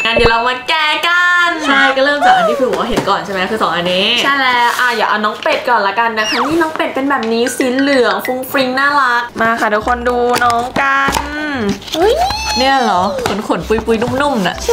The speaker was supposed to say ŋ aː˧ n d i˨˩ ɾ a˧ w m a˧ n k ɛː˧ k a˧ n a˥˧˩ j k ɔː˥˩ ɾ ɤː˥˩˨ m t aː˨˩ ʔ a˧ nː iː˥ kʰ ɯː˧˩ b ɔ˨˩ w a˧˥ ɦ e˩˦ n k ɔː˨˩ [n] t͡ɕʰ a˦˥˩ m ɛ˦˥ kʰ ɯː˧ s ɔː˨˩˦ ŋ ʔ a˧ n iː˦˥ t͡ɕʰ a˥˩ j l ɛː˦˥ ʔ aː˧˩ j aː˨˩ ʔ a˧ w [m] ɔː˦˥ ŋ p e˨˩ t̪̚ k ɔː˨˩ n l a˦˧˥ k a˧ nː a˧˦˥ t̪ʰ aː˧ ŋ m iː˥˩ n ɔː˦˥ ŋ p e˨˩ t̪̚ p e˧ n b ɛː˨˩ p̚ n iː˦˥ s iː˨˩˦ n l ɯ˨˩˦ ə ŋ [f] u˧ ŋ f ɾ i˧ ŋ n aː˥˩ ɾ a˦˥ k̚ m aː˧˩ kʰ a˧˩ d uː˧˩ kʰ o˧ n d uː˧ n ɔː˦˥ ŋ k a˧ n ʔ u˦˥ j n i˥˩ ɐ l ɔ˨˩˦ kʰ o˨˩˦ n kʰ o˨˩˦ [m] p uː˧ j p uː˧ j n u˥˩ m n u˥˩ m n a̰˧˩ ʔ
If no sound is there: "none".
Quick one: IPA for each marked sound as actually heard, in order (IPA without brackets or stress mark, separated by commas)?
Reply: n, n, f, n